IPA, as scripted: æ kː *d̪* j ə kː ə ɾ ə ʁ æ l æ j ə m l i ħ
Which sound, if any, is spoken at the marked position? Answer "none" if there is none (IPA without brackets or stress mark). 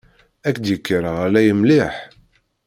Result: d̪